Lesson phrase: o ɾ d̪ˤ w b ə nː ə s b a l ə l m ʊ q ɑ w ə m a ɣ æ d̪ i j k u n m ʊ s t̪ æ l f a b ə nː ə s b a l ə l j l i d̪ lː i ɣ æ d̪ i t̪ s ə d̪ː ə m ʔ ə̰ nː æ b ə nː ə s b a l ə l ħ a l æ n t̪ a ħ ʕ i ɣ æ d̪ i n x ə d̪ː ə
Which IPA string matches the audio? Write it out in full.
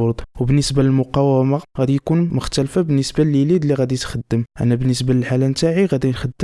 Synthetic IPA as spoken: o ɾ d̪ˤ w b ə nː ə s b a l ə l m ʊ q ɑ w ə m a ɣ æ d̪ i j k u n m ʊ x t̪ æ l f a b ə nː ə s b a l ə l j l i d̪ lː i ɣ æ d̪ i t̪ x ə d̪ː ə m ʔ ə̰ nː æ b ə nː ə s b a l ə l ħ a l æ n t̪ a ʕ i ɣ æ d̪ i n x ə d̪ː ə

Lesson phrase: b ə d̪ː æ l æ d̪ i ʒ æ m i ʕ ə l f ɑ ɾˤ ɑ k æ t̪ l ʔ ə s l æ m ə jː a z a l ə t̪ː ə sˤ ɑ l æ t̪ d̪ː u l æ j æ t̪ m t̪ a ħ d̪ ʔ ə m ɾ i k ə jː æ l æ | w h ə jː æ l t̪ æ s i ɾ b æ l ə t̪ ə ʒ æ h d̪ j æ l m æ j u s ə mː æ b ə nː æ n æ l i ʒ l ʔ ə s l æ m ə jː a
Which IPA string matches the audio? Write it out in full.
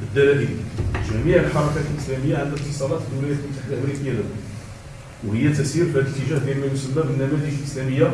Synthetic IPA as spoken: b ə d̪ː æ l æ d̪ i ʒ æ m i ʕ ə l ħ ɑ ɾˤ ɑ k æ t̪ l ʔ ə s l æ m ə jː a ʕ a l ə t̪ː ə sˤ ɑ l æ t̪ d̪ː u l æ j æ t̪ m t̪ a ħ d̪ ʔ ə m ɾ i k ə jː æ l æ | w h ə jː æ t̪ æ s i ɾ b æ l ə t̪ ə ʒ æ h d̪ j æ l m æ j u s ə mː æ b ə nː æ m æ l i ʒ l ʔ ə s l æ m ə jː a

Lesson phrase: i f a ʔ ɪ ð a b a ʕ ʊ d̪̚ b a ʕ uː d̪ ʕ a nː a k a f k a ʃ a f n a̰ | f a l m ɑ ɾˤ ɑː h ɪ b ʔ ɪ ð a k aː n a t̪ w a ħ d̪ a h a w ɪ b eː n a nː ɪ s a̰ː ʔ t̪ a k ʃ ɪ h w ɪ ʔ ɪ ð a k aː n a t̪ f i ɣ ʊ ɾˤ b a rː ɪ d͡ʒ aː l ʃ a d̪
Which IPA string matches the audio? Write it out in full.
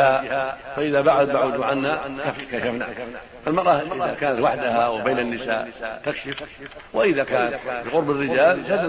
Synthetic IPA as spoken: a f a ʔ ɪ ð a b a ʕ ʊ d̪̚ b a ʕ uː d̪ ʕ a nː a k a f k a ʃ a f n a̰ | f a l m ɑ ɾˤ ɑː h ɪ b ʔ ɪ ð a k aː n a t̪ w a ħ d̪ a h a w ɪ b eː n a nː ɪ s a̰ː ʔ t̪ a k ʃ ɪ f w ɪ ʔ ɪ ð a k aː n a t̪ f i ɣ ʊ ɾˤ b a rː ɪ d͡ʒ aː l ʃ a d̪

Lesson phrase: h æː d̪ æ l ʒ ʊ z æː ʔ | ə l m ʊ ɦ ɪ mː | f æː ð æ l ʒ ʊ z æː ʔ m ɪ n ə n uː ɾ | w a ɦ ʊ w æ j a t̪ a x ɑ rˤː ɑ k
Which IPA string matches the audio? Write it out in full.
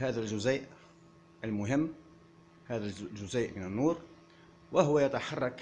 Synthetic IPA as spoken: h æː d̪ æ l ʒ ʊ z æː ʔ | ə l m ʊ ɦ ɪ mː | h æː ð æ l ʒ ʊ z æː ʔ m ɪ n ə nː uː ɾ | w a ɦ ʊ w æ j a t̪ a ħ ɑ rˤː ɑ k

